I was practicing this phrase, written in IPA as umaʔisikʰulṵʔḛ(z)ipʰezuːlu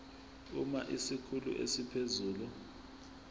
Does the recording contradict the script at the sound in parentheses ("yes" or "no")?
yes